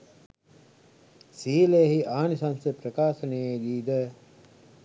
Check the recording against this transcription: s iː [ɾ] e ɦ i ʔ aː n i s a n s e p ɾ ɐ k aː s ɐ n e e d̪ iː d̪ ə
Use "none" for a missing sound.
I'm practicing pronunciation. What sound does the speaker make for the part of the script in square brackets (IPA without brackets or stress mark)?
l